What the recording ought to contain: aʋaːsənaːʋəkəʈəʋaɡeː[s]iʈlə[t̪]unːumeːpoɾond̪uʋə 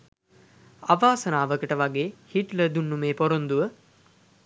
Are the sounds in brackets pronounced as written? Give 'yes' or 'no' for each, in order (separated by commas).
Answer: no, no